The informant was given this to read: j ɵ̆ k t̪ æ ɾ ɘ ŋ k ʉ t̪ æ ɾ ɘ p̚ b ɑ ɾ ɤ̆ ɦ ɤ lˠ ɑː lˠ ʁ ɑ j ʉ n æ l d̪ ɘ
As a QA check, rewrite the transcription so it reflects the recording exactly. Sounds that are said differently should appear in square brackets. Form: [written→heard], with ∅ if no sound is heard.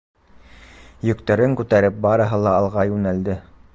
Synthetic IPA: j ɵ̆ k t̪ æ ɾ ɘ ŋ k ʉ t̪ æ ɾ ɘ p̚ b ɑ ɾ ɤ̆ ɦ ɤ lˠ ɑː lˠ ʁ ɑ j ʉ n æ l d̪ ɘ